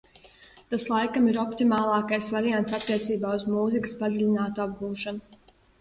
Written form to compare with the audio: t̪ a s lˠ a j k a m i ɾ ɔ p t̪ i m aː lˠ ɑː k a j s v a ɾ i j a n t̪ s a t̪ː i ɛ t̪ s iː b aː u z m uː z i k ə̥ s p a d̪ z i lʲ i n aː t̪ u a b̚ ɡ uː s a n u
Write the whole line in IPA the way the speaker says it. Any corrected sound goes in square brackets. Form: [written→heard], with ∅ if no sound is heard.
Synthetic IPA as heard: t̪ a s lˠ a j k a m i ɾ ɔ p t̪ i m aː lˠ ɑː k a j s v a ɾ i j a n t̪ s a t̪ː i ɛ t̪ s iː b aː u z m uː z i k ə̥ s p a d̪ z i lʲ i n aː t̪ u a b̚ ɡ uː [s→ʃ] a n u